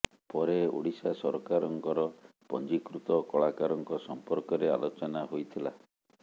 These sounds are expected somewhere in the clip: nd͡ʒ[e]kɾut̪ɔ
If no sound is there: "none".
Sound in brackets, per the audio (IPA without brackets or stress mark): i